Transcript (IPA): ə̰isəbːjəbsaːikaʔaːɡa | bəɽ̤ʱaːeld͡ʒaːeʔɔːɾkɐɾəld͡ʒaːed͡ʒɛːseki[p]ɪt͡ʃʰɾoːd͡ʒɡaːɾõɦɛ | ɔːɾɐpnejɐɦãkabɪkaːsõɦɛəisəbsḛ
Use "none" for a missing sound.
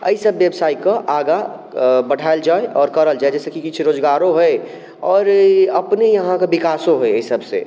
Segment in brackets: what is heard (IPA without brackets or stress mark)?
k